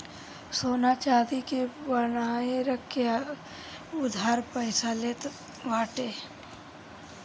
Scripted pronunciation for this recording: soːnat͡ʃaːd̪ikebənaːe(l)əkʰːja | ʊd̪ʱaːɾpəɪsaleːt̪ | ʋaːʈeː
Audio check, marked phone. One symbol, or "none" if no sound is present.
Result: ɾ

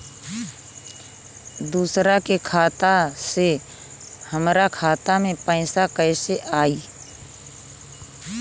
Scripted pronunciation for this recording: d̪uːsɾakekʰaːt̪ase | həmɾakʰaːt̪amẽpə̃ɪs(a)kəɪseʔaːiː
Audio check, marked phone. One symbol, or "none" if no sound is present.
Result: a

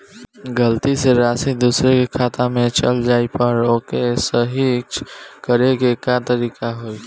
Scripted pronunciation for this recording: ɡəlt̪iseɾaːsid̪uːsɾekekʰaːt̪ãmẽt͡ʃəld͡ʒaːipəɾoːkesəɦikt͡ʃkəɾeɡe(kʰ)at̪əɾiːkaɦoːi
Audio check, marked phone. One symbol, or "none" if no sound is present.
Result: k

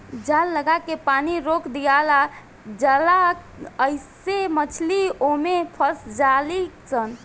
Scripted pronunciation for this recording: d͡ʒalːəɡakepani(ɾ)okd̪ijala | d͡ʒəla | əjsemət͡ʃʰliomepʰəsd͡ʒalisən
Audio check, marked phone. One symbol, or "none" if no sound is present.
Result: ɾ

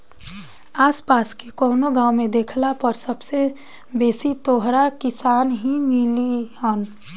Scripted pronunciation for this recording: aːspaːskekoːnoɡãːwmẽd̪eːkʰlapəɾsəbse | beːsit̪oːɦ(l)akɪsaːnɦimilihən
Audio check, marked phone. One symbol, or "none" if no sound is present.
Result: ɾ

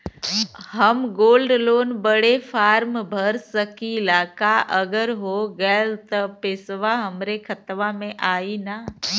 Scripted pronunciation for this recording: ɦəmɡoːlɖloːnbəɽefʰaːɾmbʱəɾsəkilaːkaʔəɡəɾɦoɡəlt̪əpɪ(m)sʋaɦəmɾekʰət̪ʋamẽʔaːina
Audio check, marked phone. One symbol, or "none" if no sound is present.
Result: none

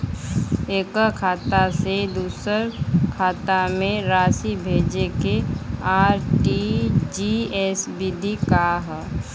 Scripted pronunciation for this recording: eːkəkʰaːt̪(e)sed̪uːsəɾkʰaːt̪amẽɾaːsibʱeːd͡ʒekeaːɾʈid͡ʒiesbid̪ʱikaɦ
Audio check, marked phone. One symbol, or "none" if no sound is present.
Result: a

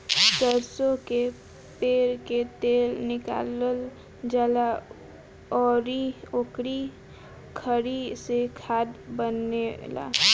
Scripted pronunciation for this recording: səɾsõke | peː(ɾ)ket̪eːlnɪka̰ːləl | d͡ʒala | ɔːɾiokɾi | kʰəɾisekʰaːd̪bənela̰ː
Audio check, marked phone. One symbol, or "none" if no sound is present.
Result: ɾ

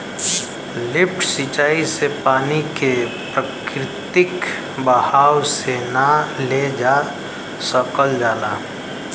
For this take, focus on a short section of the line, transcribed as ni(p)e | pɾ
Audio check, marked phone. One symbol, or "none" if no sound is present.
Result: k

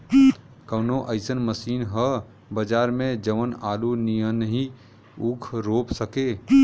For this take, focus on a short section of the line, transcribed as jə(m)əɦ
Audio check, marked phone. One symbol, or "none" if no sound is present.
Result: n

